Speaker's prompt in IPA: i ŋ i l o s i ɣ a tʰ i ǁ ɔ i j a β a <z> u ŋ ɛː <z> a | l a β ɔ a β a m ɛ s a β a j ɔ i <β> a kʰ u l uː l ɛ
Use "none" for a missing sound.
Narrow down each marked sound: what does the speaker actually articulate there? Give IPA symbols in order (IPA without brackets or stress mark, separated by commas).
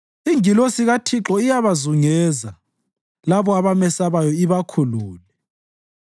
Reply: z, z, β